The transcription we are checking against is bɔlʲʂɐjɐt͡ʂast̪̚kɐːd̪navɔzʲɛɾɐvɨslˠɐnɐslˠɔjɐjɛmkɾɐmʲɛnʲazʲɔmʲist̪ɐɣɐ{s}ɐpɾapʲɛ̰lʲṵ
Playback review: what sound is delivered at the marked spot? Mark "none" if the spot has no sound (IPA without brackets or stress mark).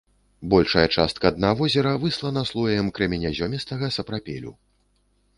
s